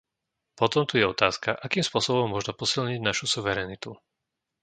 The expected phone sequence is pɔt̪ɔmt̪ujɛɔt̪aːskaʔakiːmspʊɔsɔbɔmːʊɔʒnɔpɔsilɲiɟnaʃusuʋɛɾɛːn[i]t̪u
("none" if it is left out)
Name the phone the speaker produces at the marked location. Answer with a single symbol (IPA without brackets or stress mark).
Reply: i